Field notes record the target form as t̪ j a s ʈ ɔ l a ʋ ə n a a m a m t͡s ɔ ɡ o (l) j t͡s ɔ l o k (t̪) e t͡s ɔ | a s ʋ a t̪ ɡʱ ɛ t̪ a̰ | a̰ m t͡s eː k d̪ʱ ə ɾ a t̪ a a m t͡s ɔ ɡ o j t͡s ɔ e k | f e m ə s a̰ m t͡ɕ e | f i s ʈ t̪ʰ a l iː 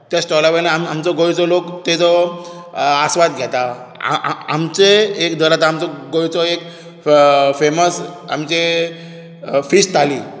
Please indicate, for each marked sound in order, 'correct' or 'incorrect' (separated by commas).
incorrect, correct